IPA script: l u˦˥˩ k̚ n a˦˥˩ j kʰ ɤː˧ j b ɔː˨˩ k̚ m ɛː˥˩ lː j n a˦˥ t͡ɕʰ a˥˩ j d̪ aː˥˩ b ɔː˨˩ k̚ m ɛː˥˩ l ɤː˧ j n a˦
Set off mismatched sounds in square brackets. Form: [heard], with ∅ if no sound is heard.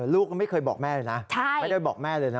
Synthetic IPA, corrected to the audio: l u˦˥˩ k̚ [m] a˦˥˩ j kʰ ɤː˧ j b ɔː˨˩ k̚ m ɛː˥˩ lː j n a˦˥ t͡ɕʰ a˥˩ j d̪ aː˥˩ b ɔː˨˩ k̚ m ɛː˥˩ l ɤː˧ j n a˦